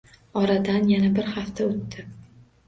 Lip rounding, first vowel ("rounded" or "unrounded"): rounded